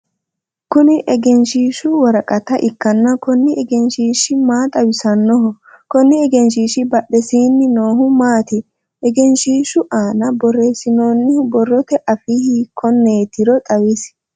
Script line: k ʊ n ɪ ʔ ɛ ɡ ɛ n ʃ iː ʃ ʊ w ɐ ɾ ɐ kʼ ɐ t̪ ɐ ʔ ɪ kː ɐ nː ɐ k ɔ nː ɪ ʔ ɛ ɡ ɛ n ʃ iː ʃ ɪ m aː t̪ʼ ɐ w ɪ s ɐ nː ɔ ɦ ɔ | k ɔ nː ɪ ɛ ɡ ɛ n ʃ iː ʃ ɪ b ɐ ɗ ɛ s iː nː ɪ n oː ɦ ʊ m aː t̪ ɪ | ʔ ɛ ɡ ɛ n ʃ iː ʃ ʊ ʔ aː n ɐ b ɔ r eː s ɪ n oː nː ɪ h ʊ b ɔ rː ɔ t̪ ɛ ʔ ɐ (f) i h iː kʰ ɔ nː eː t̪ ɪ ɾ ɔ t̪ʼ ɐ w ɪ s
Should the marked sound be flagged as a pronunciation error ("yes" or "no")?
no